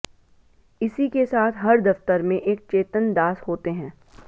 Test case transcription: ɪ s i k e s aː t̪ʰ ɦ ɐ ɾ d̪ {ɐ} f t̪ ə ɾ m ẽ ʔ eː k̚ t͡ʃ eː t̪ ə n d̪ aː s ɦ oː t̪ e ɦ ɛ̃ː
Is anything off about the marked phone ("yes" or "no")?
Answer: no